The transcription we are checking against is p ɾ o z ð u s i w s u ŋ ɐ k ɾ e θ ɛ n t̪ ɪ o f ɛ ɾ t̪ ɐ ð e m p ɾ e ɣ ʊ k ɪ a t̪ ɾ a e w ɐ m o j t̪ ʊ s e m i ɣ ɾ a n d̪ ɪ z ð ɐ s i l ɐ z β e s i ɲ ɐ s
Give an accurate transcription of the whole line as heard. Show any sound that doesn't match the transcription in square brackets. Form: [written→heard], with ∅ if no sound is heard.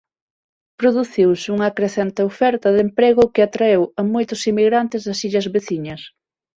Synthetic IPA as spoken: p ɾ o [z→∅] ð u [s→θ] i w s u ŋ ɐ k ɾ e θ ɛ n t̪ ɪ o f ɛ ɾ t̪ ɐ ð e m p ɾ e ɣ ʊ k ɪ a t̪ ɾ a e w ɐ m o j t̪ ʊ s [e→i] m i ɣ ɾ a n [d̪→t̪] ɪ z ð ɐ s i [l→ʎ] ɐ z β e [s→θ] i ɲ ɐ s